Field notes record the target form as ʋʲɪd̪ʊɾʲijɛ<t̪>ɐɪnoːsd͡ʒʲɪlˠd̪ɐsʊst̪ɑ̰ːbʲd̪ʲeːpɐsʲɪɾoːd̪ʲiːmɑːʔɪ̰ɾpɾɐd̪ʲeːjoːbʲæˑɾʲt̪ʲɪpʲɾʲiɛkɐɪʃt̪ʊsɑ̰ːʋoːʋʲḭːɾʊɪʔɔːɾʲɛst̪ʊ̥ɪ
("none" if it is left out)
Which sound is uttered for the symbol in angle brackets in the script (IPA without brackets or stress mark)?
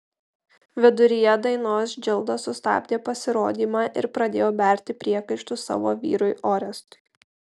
d̪